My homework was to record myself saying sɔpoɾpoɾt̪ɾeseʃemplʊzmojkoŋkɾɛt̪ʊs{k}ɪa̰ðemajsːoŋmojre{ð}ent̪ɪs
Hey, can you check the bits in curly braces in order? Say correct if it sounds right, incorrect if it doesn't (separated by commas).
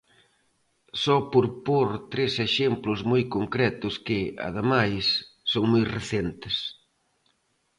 correct, incorrect